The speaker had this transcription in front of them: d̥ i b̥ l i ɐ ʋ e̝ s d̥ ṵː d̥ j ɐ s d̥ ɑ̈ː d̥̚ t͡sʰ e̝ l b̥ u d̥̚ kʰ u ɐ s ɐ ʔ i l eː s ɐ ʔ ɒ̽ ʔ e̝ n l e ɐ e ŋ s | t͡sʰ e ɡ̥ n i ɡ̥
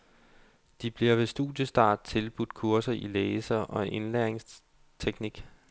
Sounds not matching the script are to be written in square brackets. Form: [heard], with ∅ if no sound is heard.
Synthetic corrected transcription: d̥ i b̥ l i ɐ ʋ e̝ s d̥ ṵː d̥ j [ə] s d̥ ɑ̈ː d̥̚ t͡sʰ e̝ l b̥ u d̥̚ kʰ u ɐ s ɐ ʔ i l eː s ɐ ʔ ɒ̽ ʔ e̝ n l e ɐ e ŋ s | t͡sʰ e ɡ̥ n i ɡ̥